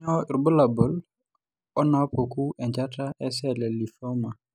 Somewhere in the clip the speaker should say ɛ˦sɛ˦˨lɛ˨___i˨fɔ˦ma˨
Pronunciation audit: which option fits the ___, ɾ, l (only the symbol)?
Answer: l